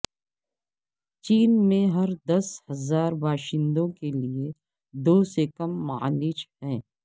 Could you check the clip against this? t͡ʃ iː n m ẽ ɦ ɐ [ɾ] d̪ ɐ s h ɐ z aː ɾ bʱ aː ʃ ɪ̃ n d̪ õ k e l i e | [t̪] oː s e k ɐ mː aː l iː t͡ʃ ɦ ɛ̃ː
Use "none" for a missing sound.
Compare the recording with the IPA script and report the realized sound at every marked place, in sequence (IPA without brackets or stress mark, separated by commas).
ɾ, d̪